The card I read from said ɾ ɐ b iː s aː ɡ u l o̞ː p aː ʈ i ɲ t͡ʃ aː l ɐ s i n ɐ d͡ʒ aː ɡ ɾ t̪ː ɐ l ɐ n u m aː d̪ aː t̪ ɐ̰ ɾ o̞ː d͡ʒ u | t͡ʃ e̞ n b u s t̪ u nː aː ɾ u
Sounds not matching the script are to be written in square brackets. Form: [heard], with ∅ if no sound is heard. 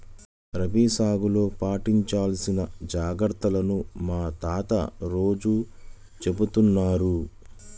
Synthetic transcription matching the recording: ɾ ɐ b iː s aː ɡ u l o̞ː p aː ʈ i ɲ t͡ʃ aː l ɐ s i n ɐ d͡ʒ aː ɡ ɾ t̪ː ɐ l ɐ n u m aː [t̪] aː t̪ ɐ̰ ɾ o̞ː d͡ʒ u | t͡ʃ e̞ [∅] b u [∅] t̪ u nː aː ɾ u